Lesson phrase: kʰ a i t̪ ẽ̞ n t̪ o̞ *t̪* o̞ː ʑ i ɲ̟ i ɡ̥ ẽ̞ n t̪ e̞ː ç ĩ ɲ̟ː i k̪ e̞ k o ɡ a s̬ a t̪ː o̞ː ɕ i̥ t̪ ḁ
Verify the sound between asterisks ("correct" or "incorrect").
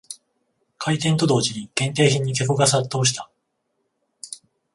incorrect